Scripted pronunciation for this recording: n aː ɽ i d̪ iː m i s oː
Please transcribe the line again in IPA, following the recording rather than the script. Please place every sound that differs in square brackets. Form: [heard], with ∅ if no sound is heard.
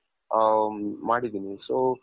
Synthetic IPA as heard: [m] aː ɽ i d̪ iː [n] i s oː